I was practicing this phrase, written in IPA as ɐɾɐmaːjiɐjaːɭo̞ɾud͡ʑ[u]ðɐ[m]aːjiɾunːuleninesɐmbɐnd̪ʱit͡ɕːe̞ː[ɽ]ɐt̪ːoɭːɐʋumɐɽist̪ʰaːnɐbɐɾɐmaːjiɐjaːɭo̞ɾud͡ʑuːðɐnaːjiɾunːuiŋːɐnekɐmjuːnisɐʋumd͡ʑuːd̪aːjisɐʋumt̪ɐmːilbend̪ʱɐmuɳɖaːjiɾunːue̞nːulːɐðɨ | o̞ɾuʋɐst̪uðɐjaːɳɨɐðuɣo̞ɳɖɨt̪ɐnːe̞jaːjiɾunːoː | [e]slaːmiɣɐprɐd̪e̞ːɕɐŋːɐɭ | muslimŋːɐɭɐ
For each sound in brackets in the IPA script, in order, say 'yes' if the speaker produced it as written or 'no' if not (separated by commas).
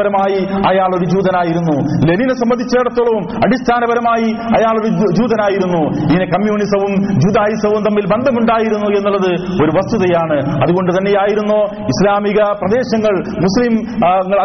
no, no, yes, no